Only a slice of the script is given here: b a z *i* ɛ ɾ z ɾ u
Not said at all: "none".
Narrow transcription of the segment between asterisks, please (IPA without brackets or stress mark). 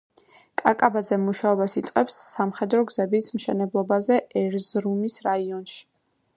ɛ